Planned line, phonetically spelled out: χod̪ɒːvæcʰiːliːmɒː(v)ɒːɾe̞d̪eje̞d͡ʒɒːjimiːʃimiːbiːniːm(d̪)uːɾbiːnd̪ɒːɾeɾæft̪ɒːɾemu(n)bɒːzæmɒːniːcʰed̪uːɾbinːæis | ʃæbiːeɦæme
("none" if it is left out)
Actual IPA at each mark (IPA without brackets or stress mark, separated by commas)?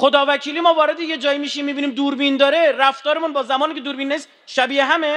v, d̪, n